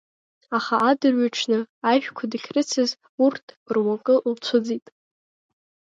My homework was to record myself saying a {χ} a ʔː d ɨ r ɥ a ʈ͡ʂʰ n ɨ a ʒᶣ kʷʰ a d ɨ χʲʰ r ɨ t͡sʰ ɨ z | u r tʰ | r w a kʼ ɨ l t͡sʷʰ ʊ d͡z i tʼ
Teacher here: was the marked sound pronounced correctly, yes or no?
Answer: yes